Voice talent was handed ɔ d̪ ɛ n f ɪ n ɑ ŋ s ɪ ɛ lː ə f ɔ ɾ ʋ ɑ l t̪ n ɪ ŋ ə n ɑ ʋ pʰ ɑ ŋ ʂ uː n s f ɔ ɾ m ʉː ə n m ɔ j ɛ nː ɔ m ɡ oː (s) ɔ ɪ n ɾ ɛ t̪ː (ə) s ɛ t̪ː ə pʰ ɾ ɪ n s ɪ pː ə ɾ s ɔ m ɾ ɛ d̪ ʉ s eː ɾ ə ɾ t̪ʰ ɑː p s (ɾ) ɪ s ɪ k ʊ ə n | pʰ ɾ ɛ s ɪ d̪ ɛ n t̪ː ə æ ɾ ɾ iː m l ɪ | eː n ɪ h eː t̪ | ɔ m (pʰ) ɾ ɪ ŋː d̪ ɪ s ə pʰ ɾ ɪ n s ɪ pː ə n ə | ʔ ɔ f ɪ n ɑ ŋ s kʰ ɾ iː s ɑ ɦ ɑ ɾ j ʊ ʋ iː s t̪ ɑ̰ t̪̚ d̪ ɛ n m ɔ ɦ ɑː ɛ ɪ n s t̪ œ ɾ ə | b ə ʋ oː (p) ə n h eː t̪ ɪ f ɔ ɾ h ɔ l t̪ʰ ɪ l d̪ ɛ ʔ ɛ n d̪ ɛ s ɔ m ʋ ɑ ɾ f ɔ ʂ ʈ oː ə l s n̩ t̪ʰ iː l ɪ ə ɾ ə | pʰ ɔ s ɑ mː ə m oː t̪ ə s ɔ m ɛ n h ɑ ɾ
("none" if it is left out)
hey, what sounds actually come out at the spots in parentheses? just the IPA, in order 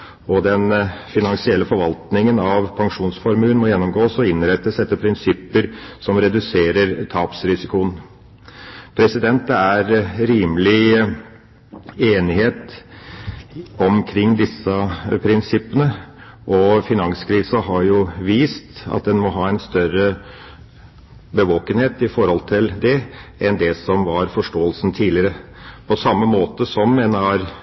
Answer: s, ə, ɾ, kʰ, k

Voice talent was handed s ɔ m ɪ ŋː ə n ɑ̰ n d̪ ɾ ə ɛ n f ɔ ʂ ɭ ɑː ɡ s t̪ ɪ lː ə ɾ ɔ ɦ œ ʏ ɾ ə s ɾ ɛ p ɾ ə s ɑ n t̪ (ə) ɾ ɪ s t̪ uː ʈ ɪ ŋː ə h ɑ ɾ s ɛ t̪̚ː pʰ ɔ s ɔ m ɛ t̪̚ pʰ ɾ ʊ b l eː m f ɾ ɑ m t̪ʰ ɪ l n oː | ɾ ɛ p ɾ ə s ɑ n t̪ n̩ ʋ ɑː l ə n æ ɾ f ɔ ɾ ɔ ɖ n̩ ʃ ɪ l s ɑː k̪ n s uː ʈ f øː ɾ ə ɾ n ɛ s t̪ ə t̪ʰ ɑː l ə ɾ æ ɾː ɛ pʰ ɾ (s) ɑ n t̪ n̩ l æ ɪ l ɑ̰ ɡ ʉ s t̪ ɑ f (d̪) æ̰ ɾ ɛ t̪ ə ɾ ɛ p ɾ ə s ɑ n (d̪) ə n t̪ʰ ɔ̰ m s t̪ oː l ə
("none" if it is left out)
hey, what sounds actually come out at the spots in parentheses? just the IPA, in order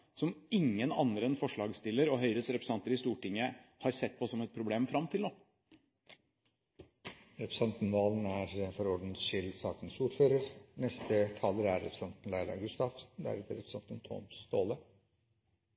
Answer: ə, s, d̪, t̪

